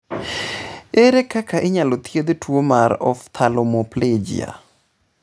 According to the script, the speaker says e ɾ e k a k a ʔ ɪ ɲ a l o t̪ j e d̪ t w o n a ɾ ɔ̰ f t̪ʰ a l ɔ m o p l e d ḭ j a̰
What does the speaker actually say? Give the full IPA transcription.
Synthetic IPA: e ɾ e k a k a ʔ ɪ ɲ a l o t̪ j e d̪ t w o m a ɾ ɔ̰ f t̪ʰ a l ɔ m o p l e d͡ʒ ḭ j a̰